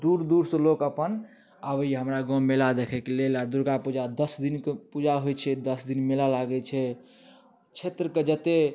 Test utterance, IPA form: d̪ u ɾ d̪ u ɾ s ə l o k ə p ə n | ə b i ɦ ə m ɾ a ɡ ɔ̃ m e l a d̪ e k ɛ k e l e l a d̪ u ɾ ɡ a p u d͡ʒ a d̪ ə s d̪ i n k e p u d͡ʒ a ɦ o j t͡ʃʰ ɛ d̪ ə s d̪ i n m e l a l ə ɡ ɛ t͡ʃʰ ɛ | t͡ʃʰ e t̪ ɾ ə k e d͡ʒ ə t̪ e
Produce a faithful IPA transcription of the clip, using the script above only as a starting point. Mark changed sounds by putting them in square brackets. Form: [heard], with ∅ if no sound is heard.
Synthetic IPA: d̪ u ɾ d̪ u ɾ s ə l o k ə p ə n | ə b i ɦ ə m ɾ a ɡ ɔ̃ m e l a d̪ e [kʰ] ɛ k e l e l a d̪ u ɾ ɡ a p u d͡ʒ a d̪ ə s d̪ i n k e p u d͡ʒ a ɦ o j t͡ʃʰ ɛ d̪ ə s d̪ i n m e l a l [a] ɡ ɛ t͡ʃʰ ɛ | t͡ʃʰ e t̪ ɾ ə k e d͡ʒ ə t̪ e